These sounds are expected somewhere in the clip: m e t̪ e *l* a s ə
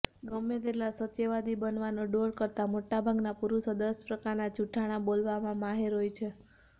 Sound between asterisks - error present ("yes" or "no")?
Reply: no